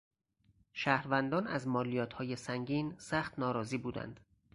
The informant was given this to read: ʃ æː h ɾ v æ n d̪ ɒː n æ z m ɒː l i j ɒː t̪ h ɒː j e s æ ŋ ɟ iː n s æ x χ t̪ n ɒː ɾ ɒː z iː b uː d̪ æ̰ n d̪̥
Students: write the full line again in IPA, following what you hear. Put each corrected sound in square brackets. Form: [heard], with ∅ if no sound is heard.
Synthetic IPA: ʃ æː h ɾ v æ n d̪ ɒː n æ z m ɒː l i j ɒː t̪ h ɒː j e s æ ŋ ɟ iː n s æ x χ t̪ n ɒː ɾ ɒː z iː b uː d̪ æ̰ n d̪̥